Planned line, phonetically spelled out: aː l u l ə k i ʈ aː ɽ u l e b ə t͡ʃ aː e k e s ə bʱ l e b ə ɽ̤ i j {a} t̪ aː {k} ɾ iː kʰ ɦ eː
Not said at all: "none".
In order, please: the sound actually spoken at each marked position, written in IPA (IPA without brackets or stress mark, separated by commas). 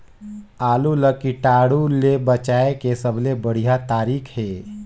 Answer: a, none